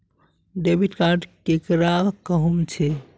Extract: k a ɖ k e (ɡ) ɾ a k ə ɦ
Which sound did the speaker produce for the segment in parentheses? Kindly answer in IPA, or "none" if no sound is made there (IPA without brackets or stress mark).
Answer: k